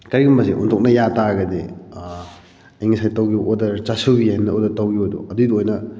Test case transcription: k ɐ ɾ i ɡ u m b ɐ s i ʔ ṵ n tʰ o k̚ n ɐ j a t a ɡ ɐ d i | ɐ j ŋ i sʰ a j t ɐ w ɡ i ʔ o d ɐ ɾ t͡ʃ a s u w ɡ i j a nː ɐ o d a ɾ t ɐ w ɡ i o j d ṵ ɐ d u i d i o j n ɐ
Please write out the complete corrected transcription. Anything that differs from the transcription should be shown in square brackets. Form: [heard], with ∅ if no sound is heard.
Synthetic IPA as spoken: k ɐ ɾ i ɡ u m b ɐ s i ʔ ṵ n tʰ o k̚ n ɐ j a t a ɡ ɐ d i | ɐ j ŋ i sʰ a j t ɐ w ɡ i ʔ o d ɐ ɾ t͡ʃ a s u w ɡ i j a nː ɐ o d [ɐ] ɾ t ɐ w ɡ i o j d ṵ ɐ d u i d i o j n ɐ